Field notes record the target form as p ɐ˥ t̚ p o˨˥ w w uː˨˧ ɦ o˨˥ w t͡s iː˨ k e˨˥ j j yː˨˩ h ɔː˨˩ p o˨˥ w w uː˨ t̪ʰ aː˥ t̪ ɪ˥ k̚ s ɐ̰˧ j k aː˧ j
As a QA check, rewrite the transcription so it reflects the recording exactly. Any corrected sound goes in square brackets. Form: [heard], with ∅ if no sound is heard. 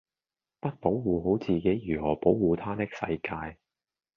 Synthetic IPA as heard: p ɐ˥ t̚ p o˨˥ w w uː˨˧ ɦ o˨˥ w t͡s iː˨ k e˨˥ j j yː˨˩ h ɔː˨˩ p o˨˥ w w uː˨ t̪ʰ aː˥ t̪ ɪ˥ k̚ s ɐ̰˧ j k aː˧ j